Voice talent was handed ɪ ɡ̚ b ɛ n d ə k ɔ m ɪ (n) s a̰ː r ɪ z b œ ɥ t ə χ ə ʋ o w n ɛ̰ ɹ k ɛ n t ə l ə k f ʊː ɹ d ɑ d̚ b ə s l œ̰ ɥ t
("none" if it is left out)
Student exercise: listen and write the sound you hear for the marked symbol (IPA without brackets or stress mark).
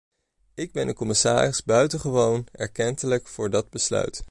none